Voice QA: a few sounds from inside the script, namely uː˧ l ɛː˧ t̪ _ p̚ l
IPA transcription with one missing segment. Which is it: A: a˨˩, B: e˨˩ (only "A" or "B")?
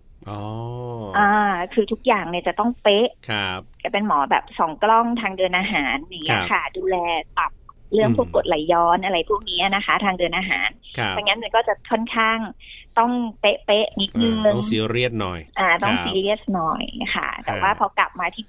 A